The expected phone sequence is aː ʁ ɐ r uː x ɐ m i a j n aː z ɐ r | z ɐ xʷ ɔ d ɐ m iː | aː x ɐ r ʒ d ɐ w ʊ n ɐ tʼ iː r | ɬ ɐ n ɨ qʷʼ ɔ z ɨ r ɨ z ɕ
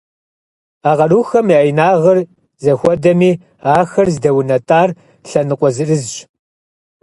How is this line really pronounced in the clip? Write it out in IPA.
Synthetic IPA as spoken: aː ʁ ɐ r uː x ɐ m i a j n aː ʁ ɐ r | z ɐ xʷ ɔ d ɐ m iː | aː x ɐ r z d ɐ w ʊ n ɐ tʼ aː r | ɬ ɐ n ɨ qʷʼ ɔ z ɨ r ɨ z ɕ